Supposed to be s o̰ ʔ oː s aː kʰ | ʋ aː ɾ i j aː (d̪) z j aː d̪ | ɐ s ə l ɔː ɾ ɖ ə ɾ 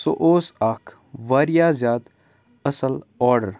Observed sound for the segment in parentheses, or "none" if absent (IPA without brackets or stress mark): none